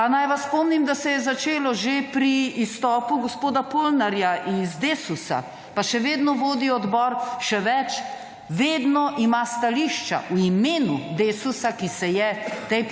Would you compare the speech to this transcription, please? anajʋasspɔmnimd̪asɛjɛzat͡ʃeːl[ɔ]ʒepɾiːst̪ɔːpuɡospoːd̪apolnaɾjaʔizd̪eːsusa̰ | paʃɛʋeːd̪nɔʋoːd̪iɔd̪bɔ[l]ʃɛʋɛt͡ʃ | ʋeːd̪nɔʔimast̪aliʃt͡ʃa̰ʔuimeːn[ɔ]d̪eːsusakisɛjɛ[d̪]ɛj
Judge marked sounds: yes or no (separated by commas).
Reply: yes, no, no, no